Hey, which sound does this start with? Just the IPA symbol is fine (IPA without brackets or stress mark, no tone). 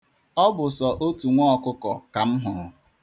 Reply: ɔ